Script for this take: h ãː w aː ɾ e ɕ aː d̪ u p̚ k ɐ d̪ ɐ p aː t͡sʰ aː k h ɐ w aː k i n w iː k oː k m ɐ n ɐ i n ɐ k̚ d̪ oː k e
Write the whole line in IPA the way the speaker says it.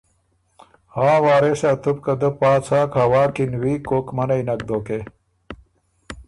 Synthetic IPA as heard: h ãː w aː ɾ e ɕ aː t̪ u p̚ k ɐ d̪ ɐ p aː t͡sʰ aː k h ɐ w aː k i n w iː k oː k m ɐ n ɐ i n ɐ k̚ d̪ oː k e